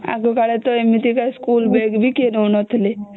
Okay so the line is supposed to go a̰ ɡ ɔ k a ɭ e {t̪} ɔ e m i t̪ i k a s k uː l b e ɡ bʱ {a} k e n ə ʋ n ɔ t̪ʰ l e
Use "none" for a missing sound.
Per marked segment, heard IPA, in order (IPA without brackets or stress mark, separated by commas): t̪, i